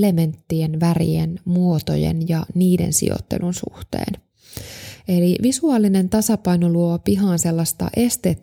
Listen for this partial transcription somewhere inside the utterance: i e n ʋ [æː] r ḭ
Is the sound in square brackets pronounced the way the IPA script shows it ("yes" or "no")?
no